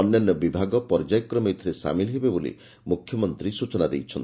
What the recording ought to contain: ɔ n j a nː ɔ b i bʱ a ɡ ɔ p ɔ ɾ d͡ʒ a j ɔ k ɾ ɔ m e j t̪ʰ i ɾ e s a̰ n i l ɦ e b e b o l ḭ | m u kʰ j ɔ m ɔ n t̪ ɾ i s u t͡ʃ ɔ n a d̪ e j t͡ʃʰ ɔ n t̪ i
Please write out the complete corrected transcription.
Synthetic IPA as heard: ɔ n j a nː ɔ b i bʱ a ɡ ɔ p ɔ ɾ d͡ʒ a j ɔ k ɾ ɔ m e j t̪ʰ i ɾ e s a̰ m i l ɦ e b e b o l ḭ | m u kʰ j ɔ m ɔ n t̪ ɾ i s u t͡ʃ ɔ n a d̪ e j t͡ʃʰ ɔ n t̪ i